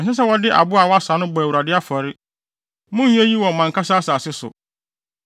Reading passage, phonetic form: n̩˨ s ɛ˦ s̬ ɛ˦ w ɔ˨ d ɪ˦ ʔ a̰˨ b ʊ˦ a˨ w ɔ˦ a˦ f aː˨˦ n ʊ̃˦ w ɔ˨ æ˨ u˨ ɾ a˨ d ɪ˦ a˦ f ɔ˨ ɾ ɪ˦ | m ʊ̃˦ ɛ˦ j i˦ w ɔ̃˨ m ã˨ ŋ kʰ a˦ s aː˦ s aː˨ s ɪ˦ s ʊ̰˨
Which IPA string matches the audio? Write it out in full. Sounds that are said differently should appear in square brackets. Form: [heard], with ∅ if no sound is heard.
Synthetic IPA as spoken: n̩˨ s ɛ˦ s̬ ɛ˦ w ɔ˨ d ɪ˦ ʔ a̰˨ b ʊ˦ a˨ w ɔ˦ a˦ [s] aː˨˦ n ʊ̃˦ [b] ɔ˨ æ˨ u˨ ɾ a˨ d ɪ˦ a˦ f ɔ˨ ɾ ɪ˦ | m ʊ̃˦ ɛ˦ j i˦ w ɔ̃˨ m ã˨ ŋ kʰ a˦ s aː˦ s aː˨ s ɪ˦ s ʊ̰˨